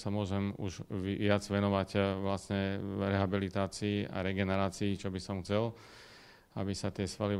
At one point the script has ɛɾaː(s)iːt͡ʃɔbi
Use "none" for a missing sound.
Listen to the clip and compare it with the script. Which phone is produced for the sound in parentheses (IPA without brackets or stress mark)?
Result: t͡s